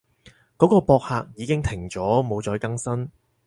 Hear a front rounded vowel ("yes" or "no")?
no